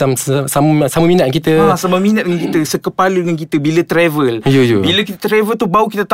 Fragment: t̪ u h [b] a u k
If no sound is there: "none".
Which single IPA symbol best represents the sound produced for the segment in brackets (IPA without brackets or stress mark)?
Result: b